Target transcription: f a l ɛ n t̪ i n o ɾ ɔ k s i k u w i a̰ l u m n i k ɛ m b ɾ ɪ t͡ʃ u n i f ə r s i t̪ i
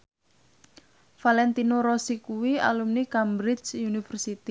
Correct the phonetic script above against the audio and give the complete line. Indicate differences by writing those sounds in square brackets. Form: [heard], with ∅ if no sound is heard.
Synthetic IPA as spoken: f a l ɛ n t̪ i n o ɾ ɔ [∅] s i k u w i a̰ l u m n i k [a] m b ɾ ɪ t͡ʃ u n i f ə r s i t̪ i